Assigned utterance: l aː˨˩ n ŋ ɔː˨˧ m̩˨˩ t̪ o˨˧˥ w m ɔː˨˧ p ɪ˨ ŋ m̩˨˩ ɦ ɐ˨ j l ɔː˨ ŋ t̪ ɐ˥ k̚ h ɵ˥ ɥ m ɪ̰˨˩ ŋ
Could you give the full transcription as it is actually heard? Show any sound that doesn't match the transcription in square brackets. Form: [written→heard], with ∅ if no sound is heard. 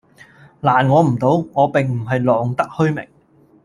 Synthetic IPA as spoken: l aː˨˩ n ŋ ɔː˨˧ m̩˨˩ t̪ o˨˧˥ w [m→ŋ] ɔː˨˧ p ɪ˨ ŋ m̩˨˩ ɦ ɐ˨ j l ɔː˨ ŋ t̪ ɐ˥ k̚ h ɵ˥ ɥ m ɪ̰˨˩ ŋ